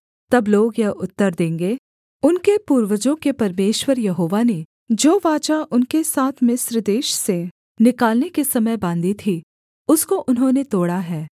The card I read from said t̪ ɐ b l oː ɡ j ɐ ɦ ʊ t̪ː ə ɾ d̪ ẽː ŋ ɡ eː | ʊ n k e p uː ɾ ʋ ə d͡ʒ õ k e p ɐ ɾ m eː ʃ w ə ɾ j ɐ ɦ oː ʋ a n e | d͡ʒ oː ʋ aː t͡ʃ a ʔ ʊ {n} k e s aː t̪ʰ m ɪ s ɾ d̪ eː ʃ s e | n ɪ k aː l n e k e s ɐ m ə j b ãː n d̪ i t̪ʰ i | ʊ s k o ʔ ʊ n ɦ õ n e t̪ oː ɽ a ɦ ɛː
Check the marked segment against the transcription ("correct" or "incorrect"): correct